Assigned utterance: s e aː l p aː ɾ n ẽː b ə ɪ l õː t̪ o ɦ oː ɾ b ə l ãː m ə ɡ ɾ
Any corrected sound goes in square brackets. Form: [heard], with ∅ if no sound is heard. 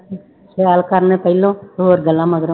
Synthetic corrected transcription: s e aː l [k] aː ɾ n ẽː [p] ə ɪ l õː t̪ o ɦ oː ɾ [ɡ] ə l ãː m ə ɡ ɾ